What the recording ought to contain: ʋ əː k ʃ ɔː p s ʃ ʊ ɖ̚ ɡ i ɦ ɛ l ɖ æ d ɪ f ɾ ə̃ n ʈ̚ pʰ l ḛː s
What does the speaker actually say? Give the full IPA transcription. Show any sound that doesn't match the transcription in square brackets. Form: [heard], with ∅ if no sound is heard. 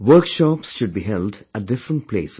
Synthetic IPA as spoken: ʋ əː k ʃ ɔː p s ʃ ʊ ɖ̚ [b] i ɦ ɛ l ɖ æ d ɪ f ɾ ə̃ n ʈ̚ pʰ l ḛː s

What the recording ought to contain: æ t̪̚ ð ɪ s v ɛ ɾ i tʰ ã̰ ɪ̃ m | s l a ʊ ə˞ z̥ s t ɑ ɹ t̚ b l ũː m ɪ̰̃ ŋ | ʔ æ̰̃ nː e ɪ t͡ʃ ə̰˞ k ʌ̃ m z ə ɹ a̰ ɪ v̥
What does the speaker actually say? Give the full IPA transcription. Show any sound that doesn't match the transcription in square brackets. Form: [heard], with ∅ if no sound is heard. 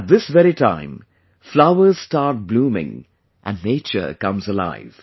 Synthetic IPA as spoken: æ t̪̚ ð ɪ s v ɛ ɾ i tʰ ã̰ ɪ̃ m | [f] l a ʊ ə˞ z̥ s t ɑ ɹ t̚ b l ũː m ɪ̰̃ ŋ | ʔ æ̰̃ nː e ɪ t͡ʃ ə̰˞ k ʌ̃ m z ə [l] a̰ ɪ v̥

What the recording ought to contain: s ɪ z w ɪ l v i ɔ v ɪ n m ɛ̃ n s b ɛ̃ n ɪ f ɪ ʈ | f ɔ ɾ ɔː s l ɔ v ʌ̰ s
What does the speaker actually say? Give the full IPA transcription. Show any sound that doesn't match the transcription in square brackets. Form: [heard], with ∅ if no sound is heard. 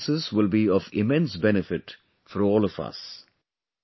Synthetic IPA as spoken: s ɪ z w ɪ l [b] i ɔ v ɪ [∅] m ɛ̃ n s b [ɛ] n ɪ f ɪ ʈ | f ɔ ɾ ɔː [∅] l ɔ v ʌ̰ s

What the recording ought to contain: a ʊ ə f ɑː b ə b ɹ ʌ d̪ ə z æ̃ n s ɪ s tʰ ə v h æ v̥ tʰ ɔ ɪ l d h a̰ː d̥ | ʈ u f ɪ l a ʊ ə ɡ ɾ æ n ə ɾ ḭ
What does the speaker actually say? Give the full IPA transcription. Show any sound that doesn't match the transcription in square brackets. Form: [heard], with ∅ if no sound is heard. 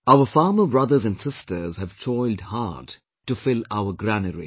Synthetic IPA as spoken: a ʊ ə f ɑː [m] ə b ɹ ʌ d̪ ə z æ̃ n s ɪ s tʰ ə [z] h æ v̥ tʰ ɔ ɪ l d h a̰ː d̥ | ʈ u f ɪ l a ʊ ə ɡ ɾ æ n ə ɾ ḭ

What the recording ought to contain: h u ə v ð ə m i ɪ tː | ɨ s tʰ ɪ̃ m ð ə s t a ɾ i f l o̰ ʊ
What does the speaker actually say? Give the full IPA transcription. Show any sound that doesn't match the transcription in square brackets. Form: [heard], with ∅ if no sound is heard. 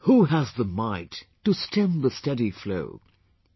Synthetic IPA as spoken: h u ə [z] ð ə m [a] ɪ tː | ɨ s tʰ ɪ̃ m ð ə s t [ɛ] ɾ i f l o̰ ʊ

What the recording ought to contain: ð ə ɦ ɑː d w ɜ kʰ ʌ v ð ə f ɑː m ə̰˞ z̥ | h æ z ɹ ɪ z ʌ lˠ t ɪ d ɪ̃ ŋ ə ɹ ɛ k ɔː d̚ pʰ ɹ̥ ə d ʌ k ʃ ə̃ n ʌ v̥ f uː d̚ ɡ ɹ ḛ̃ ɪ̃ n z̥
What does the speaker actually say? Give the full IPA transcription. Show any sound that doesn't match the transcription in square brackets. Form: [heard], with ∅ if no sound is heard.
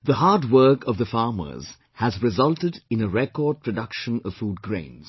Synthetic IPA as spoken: ð ə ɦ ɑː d w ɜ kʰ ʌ v ð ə f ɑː m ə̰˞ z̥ | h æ z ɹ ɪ z ʌ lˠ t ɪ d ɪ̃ [n] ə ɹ ɛ k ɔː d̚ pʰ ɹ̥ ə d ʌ k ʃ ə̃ n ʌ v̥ f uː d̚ ɡ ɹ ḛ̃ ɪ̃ n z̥

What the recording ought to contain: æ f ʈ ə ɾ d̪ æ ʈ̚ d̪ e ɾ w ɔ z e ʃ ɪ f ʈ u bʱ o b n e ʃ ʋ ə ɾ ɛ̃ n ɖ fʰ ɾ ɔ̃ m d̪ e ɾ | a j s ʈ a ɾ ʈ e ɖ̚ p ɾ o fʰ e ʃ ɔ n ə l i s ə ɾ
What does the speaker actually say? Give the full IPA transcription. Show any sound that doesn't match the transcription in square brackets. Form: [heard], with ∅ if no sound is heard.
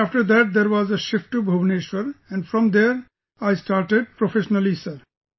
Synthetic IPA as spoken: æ f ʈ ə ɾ d̪ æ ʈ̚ d̪ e ɾ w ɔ z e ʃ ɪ f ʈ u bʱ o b n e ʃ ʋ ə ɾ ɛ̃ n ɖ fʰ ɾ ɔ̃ m d̪ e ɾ | a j s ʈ a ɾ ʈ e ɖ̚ p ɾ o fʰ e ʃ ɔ n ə l i s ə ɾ

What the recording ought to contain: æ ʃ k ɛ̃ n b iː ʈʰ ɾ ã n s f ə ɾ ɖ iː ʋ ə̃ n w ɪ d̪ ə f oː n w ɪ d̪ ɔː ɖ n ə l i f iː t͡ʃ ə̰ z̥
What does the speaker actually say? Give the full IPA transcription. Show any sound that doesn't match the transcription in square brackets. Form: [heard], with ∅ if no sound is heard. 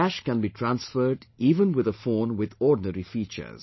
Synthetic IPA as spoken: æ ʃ k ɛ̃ n b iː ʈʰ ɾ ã n s f ə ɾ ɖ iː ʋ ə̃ n w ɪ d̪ ə f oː n w ɪ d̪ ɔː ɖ n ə [ɾ] i f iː t͡ʃ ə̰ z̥

